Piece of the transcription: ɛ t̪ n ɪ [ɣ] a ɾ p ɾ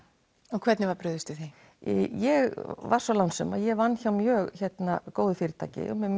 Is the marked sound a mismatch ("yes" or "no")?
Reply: yes